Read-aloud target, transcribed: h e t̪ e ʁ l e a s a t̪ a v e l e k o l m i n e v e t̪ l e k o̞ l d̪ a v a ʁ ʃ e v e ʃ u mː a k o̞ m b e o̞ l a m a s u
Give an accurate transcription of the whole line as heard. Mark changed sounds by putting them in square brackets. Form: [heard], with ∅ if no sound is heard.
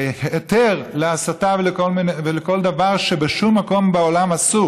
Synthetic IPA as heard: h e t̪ e ʁ l e a s a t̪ a v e l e k o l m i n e v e [∅] l e k o̞ l d̪ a v a ʁ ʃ e [b] e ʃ u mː a k o̞ m b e o̞ l a m a s u

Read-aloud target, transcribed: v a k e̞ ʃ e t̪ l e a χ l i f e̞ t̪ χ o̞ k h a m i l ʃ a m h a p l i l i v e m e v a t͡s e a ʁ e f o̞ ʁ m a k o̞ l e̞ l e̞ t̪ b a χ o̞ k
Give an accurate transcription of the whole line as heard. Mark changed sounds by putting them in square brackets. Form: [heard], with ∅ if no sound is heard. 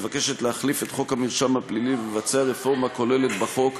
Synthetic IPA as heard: v a k e̞ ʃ e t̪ l e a χ l i f e̞ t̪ χ o̞ k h a m i l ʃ a m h a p l i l i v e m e v a t͡s e a ʁ e f o̞ ʁ m a k o̞ l e̞ l e̞ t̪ b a χ o̞ k

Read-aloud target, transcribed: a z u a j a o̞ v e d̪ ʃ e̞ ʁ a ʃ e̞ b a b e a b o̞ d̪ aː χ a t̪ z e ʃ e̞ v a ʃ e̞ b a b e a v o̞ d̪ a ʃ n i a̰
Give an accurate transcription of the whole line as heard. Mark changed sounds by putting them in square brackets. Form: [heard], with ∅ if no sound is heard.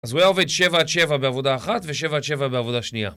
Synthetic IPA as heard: a z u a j a o̞ v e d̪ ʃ e̞ [v] a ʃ e̞ [v] a b e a [v] o̞ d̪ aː χ a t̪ [v] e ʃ e̞ v a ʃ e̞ [v] a b e a v o̞ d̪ a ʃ n i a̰

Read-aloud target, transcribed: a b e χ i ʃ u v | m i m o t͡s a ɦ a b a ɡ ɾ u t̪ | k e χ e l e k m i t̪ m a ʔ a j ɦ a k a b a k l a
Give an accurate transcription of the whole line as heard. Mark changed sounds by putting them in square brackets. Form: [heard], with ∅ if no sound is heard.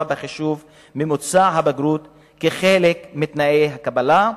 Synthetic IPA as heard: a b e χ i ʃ u v | m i m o t͡s a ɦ a b a ɡ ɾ u t̪ | k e χ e l e k m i t̪ [n] a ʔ [e] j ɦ a k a b a [∅] l a

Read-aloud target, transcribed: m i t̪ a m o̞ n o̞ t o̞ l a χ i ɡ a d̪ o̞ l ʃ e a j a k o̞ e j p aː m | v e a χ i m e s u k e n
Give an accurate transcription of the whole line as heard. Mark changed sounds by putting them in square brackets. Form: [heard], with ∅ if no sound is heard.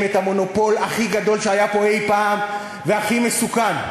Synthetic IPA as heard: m [e] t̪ a m o̞ n o̞ [p] o̞ l a χ i ɡ a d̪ o̞ l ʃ e a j a [p] o̞ e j p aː m | v e a χ i m e s u k [a] n

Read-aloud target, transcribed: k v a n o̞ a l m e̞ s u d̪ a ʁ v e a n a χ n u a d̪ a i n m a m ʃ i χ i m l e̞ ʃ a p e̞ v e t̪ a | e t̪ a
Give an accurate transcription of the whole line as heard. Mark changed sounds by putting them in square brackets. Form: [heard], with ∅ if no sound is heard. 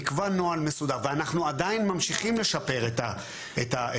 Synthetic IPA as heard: k v a n o̞ a l m e̞ s u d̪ a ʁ v e a n a χ n u a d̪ a i n m a m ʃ i χ i m l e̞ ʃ a p e̞ [ʁ] e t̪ a | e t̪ a

